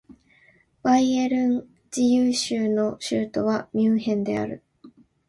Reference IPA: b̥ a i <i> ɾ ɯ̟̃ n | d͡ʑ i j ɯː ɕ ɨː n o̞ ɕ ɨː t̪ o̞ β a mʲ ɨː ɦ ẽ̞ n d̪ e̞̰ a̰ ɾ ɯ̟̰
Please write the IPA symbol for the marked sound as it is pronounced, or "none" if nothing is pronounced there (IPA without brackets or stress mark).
e